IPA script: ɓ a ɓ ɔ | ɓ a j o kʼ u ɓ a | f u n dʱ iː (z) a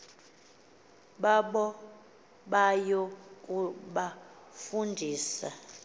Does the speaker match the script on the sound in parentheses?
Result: no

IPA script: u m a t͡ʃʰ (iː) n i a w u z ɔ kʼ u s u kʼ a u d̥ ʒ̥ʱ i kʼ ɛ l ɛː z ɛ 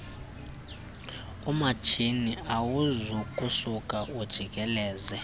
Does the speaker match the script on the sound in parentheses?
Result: no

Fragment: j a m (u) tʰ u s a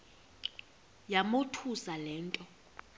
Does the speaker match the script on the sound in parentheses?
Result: no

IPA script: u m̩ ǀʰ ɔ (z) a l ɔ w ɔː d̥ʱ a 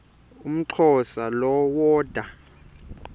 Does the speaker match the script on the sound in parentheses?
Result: no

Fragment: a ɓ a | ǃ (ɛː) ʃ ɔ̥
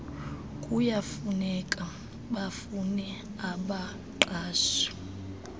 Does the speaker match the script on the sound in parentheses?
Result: no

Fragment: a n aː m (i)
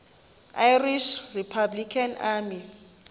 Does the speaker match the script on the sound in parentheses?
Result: yes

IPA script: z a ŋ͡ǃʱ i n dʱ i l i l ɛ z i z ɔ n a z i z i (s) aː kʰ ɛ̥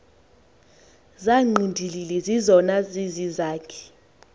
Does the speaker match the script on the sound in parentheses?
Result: no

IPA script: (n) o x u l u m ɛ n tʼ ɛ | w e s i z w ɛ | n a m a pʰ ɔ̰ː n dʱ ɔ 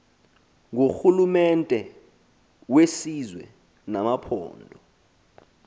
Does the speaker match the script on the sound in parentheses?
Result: no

